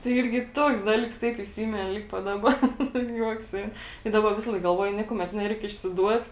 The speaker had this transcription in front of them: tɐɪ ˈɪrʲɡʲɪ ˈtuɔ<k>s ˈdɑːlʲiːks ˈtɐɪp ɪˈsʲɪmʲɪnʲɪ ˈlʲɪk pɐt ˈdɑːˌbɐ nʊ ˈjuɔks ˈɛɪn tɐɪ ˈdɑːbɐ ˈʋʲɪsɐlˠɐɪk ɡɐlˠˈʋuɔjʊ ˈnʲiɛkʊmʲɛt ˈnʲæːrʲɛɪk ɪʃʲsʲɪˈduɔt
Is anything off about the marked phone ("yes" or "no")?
no